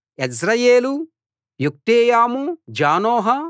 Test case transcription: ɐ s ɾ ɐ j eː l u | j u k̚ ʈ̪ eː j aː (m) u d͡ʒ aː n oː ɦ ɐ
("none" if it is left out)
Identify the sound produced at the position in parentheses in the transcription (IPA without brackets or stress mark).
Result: m